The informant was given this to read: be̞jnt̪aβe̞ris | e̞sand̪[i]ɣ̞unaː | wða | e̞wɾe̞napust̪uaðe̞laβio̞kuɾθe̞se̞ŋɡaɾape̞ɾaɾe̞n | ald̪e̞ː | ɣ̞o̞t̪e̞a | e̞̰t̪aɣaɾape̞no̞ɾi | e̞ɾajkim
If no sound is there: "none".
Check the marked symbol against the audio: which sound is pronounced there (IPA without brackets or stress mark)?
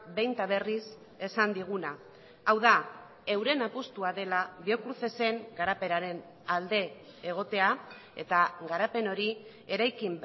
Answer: i